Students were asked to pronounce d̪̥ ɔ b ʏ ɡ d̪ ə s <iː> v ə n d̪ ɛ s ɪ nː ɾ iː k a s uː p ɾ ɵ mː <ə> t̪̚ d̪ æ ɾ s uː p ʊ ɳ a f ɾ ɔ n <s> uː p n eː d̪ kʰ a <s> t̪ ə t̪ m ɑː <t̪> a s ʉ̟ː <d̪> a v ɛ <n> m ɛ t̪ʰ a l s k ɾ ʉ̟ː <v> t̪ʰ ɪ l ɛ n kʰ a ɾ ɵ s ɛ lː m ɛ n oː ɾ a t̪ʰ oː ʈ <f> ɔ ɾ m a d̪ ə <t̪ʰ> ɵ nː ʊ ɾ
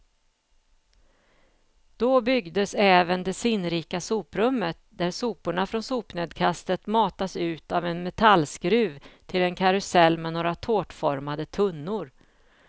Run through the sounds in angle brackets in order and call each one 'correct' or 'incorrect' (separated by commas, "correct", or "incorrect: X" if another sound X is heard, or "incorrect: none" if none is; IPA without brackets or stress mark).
incorrect: ɛː, correct, correct, correct, correct, incorrect: t̪, correct, correct, correct, correct